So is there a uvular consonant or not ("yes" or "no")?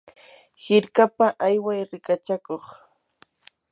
yes